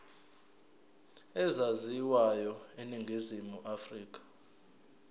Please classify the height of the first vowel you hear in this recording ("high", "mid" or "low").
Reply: mid